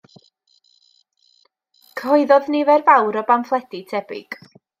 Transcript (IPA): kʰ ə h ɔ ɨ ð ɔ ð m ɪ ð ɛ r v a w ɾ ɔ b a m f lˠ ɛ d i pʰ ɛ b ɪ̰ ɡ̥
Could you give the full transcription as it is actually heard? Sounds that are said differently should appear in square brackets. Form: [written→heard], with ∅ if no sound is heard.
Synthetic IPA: kʰ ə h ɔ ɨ ð ɔ ð [m→n] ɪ [ð→v] ɛ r v a w ɾ ɔ b a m f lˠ ɛ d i [pʰ→tʰ] ɛ b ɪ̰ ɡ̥

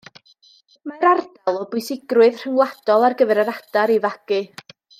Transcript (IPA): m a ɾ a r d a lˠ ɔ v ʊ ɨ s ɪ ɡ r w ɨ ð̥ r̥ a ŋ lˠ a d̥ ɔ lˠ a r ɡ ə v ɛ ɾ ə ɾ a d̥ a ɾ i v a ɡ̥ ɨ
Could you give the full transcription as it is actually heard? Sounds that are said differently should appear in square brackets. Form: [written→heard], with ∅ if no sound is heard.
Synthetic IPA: m a ɾ a r d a lˠ ɔ [v→b] ʊ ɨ s ɪ ɡ r w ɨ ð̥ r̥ [a→ə] ŋ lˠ a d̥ ɔ lˠ a r ɡ ə v ɛ ɾ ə ɾ a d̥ a ɾ i v a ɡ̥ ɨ

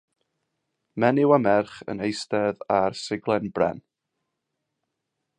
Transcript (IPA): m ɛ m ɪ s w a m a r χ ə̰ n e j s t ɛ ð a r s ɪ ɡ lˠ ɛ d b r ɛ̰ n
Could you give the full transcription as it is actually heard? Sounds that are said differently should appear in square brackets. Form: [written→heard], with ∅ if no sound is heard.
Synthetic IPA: m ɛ [m→n] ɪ [s→∅] w a m [a→ɛ] r χ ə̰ n e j s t ɛ ð a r s ɪ ɡ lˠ ɛ [d→n] b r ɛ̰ n

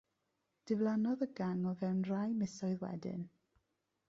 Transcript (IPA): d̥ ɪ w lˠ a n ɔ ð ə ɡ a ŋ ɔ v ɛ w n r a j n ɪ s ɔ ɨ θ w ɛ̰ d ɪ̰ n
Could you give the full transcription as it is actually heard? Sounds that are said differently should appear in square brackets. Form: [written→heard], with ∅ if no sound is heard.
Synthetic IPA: d̥ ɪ [w→v] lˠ a n ɔ ð ə ɡ a ŋ ɔ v ɛ w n r a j [n→m] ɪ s ɔ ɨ [θ→ð] w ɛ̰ d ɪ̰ n

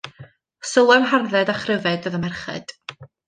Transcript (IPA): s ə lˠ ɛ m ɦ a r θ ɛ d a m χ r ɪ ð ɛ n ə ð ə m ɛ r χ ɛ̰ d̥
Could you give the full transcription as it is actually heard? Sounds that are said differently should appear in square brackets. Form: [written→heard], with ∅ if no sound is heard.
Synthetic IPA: s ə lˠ ɛ m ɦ a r [θ→ð] ɛ d a [m→∅] χ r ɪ [ð→v] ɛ [n→d] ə ð ə m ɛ r χ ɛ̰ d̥

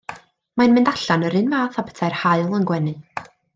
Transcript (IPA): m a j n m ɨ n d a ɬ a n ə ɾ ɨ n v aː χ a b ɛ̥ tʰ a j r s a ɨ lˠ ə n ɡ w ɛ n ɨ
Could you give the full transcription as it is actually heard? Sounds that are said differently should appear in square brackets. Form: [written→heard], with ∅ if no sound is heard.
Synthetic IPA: m a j n m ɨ n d a ɬ a n ə ɾ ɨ n v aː [χ→θ] a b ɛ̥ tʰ a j r [s→h] a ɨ lˠ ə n ɡ w ɛ n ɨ

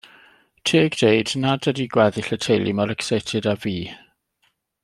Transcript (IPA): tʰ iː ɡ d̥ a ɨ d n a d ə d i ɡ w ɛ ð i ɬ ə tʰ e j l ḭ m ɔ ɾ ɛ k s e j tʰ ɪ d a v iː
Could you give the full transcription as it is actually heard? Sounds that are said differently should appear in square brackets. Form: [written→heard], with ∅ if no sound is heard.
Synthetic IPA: tʰ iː ɡ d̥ [a→e] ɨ d n a d ə d i ɡ w ɛ ð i ɬ ə tʰ e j l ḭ m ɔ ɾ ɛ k s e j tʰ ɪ d a v iː

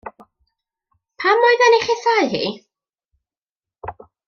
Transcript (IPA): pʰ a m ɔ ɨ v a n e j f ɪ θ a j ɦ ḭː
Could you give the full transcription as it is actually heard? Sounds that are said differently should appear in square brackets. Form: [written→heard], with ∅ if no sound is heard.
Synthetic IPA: pʰ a m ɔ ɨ [v→ð] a n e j [f→χ] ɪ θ a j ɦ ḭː

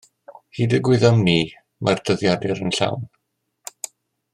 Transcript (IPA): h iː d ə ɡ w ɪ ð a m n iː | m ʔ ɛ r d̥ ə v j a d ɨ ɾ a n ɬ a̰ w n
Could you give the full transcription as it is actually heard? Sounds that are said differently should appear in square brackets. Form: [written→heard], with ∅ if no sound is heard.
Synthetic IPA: h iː d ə ɡ w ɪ ð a m n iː | m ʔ [ɛ→a] r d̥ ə [v→ð] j a d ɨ ɾ [a→ə] n ɬ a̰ w n

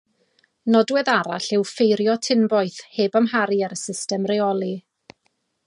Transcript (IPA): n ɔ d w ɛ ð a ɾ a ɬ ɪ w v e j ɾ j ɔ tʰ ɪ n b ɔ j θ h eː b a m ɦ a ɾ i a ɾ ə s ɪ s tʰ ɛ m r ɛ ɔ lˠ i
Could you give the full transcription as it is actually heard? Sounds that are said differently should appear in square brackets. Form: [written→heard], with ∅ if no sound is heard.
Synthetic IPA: n ɔ d w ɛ ð a ɾ a ɬ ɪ w [v→f] e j ɾ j ɔ tʰ ɪ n b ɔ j θ h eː b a m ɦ a ɾ i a ɾ ə s ɪ s [tʰ→t] ɛ m r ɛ ɔ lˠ i

